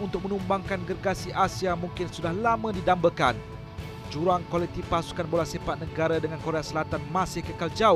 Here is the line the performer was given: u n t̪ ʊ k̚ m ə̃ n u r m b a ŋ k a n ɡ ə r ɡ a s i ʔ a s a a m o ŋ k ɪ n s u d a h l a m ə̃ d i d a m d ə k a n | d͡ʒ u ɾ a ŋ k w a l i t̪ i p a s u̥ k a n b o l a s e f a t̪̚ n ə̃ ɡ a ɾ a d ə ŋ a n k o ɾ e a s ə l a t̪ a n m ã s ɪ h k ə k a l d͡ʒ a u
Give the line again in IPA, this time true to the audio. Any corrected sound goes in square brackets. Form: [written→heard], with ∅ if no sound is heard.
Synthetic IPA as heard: u n t̪ ʊ k̚ m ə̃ n u [r→∅] m b a ŋ k a n ɡ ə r ɡ a s i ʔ a s [a→i] a m [o→u] ŋ k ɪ n s u d a h l a m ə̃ d i d a m [d→b] ə k a n | d͡ʒ u ɾ a ŋ k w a l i t̪ i p a s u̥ k a n b o l a s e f a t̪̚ n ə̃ ɡ a ɾ a d ə ŋ a n k o ɾ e a s ə l a t̪ a n m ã s ɪ h k ə k a l d͡ʒ a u